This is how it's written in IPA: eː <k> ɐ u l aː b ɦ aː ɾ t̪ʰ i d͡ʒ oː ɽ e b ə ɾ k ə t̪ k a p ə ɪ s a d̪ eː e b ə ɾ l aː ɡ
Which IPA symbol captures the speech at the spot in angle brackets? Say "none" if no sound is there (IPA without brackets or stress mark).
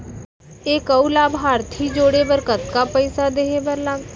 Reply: k